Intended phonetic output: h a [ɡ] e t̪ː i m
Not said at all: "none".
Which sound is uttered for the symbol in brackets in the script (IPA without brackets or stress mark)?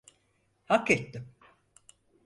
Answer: k